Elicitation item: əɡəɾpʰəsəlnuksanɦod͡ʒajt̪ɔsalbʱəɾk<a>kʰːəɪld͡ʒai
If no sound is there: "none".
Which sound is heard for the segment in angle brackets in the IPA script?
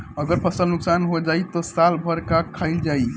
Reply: a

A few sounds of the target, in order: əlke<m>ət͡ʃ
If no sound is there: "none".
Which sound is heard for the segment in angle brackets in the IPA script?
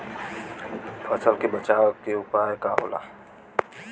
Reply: b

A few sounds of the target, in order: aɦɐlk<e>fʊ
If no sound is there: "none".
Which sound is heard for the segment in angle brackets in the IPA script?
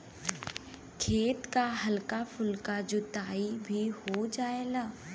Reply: a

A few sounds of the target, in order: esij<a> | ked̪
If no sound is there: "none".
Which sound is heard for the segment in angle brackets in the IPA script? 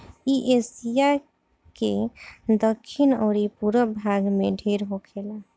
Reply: a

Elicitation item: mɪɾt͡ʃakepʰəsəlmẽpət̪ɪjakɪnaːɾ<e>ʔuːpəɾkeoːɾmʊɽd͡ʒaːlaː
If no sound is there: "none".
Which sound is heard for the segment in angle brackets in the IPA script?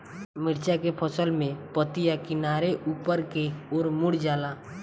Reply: e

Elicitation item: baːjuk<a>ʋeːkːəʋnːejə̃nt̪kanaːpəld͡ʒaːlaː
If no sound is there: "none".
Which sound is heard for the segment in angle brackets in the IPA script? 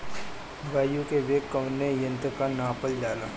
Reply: e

